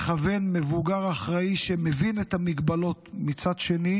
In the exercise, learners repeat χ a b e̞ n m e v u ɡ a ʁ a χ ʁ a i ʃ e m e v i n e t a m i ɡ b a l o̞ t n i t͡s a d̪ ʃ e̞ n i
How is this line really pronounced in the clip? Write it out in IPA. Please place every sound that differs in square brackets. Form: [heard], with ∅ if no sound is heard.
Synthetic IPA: χ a [v] e̞ n m e v u ɡ a ʁ a χ ʁ a i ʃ e m e v i n e t a m i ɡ b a l o̞ t [m] i t͡s a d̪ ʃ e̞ n i